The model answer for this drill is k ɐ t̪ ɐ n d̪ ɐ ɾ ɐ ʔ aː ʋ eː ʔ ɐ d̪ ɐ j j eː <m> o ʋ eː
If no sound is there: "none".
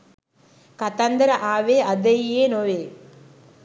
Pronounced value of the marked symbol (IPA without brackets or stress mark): n